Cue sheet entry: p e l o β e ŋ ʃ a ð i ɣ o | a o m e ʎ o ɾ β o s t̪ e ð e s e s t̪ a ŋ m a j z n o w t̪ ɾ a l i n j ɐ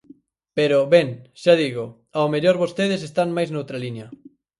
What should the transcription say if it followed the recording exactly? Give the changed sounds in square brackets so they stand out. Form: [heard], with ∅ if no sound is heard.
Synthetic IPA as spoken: p e [ɾ] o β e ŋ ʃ a ð i ɣ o | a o m e ʎ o ɾ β o s t̪ e ð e s e s t̪ a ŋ m a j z n o w t̪ ɾ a l i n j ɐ